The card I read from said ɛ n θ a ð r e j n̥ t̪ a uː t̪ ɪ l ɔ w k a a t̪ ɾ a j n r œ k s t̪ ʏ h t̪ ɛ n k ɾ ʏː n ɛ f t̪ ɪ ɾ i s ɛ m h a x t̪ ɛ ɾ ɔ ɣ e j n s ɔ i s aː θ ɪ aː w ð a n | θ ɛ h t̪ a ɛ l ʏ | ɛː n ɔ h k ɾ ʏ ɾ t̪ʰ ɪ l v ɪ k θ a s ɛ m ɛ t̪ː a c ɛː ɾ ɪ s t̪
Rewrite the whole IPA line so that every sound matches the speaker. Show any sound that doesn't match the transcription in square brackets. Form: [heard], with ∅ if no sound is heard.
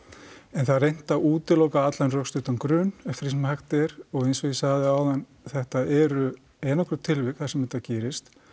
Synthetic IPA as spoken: ɛ n θ a ð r e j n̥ t̪ a uː t̪ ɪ l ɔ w k a a t̪ [l] a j n r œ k s t̪ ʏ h t̪ [a] n k ɾ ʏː n ɛ f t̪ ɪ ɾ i s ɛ m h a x t̪ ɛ ɾ ɔ ɣ e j n s ɔ i s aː [ð] ɪ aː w ð a n | θ ɛ h t̪ a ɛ [ɾ] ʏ | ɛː n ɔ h k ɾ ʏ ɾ t̪ʰ ɪ l v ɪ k θ a s ɛ m ɛ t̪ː a c ɛː ɾ ɪ s t̪

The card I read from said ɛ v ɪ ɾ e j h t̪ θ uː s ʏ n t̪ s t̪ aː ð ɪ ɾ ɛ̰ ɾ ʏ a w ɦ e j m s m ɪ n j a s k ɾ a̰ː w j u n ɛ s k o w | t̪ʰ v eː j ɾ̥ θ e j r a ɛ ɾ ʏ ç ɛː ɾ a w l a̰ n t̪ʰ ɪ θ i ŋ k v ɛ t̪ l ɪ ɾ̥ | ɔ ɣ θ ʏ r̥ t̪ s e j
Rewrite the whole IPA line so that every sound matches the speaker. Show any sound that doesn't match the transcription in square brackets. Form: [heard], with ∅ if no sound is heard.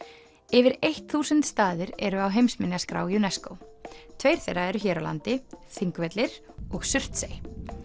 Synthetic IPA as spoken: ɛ v ɪ ɾ e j h t̪ θ uː s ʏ n t̪ s t̪ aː ð ɪ ɾ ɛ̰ ɾ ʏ a w ɦ e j m s m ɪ n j a s k ɾ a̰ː w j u n ɛ s k o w | t̪ʰ v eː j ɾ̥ θ e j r a ɛ ɾ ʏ ç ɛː ɾ a w l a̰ n [t̪] ɪ θ i ŋ k v ɛ t̪ l ɪ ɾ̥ | ɔ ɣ [s] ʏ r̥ t̪ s e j

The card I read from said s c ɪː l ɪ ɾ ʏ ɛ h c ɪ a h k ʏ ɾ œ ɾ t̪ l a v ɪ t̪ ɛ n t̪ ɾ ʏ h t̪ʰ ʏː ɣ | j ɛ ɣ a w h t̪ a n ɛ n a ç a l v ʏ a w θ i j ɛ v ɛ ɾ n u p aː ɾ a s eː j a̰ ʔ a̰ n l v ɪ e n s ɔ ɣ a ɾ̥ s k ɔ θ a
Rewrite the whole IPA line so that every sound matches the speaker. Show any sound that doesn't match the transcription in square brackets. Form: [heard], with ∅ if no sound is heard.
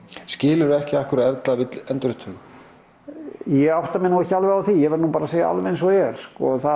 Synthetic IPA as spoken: s c ɪː l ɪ ɾ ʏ ɛ h c ɪ a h k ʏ ɾ [ɛ] ɾ t̪ l a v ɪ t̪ ɛ n t̪ ɾ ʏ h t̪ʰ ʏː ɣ | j ɛ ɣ a w h t̪ a [m] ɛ n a ç a l v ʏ a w θ i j ɛ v ɛ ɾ n u p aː ɾ a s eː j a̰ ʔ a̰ [∅] l v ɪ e n s ɔ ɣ [ɛ] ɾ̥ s k ɔ θ a

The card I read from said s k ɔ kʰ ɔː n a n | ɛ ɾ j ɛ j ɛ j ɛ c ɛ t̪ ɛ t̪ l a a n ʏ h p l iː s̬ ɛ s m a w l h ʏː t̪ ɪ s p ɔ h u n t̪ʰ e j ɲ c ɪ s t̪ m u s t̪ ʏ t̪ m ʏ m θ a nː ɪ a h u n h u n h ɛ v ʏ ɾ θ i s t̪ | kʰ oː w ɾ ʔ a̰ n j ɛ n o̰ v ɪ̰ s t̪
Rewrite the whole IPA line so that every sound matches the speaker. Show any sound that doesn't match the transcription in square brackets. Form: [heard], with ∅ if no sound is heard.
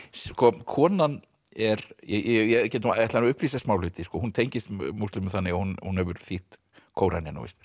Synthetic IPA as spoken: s k ɔ kʰ ɔː n a n | ɛ ɾ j ɛ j ɛ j ɛ c ɛ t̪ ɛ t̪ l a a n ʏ h p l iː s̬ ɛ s m a w l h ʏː t̪ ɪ s [k] ɔ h u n t̪ʰ e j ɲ c ɪ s t̪ m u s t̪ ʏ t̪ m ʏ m θ a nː ɪ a h u n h u n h ɛ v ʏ ɾ θ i [h] t̪ | kʰ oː w ɾ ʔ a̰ n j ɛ n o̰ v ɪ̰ s t̪

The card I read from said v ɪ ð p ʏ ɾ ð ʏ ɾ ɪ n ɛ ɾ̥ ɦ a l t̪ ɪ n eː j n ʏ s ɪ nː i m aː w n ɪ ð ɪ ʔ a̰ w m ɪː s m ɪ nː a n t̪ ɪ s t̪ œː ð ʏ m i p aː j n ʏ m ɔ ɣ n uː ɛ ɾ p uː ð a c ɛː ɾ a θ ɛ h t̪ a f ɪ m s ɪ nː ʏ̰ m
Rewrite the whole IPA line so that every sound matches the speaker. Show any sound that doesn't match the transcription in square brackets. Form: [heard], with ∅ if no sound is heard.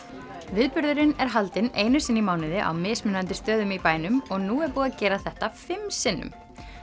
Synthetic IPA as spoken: v ɪ ð p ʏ ɾ ð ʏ ɾ ɪ n ɛ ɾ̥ ɦ a l t̪ ɪ n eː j n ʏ s ɪ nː i m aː w n ɪ ð ɪ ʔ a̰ w m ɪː s m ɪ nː a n t̪ ɪ s t̪ œː ð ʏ m i p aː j n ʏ m ɔ ɣ n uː ɛ ɾ p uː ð a c ɛː ɾ a θ ɛ h t̪ a f ɪ m s ɪ nː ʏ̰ m

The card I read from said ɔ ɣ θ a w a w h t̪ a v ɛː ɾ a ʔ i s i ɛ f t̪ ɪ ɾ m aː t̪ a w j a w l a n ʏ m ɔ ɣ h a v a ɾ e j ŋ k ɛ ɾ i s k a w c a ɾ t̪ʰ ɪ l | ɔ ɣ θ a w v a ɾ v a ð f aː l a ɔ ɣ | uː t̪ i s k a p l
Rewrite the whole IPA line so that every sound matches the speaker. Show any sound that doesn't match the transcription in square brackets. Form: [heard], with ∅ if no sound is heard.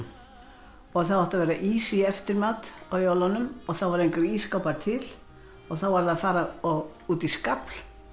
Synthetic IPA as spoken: ɔ ɣ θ a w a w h t̪ a v ɛː ɾ a ʔ i s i ɛ f t̪ ɪ ɾ m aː t̪ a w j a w l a n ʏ m ɔ ɣ [θ] a v a ɾ e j ŋ k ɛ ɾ i s k a w [p] a ɾ t̪ʰ ɪ l | ɔ ɣ θ a w v a ɾ [ð] a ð f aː [ɾ] a ɔ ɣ | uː t̪ i s k a p l

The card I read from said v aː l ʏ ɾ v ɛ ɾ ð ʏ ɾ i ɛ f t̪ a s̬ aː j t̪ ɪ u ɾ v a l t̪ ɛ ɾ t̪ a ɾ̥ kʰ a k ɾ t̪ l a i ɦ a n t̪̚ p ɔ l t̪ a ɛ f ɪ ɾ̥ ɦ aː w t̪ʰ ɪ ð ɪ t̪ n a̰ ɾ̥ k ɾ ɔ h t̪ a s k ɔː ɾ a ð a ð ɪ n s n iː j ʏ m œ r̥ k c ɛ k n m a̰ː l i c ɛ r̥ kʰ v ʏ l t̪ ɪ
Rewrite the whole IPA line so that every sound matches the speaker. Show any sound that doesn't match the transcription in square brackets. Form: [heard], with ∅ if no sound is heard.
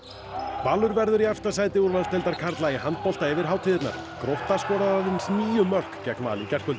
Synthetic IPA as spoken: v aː l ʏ ɾ v ɛ ɾ ð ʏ ɾ i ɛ f t̪ a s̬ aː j t̪ ɪ u ɾ v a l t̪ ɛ [l] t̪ a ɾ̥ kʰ a [∅] ɾ t̪ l a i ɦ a n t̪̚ p ɔ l t̪ a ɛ [v] ɪ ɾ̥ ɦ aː w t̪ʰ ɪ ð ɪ t̪ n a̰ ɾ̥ k ɾ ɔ h t̪ a s k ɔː ɾ a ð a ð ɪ n s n iː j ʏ m œ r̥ k c ɛ k n m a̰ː l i c ɛ r̥ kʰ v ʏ l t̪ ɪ

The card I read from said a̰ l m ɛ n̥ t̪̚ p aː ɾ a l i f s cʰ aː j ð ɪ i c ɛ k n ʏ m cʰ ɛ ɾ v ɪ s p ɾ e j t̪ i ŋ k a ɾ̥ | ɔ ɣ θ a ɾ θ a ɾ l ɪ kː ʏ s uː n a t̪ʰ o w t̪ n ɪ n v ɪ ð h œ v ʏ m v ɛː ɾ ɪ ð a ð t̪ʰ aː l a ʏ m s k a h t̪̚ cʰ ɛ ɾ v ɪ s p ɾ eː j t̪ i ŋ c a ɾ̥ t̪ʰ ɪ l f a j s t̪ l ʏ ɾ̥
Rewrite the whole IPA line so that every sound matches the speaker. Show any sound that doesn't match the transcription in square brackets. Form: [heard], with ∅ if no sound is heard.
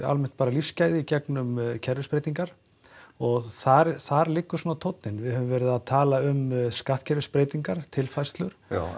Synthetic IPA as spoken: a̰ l m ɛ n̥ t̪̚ p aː ɾ a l i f s [c] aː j ð ɪ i c ɛ k n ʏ m cʰ ɛ ɾ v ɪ s p ɾ e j t̪ i ŋ k a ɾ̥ | ɔ ɣ θ a ɾ θ a ɾ l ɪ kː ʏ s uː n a t̪ʰ o w t̪ n ɪ n v ɪ ð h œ v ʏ m v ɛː ɾ ɪ ð a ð t̪ʰ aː l a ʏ m s k a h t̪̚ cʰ ɛ ɾ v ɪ s p ɾ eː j t̪ i ŋ [k] a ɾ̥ t̪ʰ ɪ l f a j s t̪ l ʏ ɾ̥

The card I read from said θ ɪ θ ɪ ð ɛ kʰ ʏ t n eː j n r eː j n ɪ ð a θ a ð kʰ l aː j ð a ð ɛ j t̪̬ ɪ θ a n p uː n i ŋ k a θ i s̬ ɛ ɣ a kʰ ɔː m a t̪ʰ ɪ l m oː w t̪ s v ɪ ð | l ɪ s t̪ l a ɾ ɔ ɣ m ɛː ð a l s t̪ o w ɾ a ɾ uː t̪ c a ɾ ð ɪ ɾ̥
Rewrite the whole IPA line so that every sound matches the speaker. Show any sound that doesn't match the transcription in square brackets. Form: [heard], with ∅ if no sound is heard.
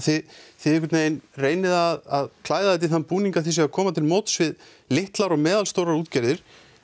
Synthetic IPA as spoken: θ ɪ θ ɪ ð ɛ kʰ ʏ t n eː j n r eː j n ɪ ð a [ð] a ð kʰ l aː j ð a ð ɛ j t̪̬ ɪ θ a n p uː n i ŋ k a θ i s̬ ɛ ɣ a kʰ ɔː m a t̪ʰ ɪ l m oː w t̪ s v ɪ ð | l ɪ [h] t̪ l a ɾ ɔ ɣ m ɛː ð a l s t̪ o w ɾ a ɾ uː t̪ c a ɾ ð ɪ ɾ̥

